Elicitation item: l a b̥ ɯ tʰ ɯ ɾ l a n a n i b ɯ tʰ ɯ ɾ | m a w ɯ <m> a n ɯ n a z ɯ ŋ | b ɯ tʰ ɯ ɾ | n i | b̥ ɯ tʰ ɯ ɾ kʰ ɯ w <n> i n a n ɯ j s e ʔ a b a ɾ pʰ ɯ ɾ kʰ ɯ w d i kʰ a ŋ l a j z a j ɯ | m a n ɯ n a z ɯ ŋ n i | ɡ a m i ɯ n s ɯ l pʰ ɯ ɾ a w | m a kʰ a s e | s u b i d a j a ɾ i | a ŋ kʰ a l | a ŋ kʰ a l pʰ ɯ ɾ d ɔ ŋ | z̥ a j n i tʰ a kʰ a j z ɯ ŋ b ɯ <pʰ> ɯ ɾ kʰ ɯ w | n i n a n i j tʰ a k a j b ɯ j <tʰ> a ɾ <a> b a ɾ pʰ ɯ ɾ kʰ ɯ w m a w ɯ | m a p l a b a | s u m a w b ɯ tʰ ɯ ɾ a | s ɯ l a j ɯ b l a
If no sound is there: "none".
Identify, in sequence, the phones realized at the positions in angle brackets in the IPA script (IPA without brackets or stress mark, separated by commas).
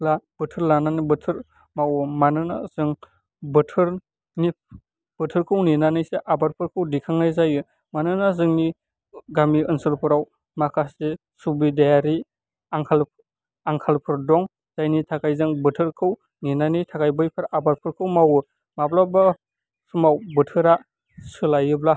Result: m, n, tʰ, pʰ, a